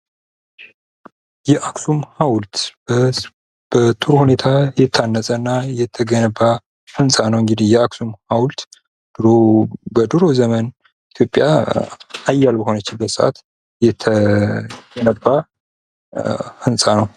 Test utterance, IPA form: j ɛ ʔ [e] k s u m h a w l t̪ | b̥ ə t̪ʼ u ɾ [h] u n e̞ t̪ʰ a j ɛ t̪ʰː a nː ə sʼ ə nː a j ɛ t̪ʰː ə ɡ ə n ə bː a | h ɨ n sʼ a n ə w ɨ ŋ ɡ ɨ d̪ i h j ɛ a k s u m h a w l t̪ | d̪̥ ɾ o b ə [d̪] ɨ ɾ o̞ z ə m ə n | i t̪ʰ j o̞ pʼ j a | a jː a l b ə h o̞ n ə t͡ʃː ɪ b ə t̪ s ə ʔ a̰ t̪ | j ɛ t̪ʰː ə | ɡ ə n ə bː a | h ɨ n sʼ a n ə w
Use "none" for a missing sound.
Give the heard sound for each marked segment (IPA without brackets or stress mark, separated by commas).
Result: a, h, d̪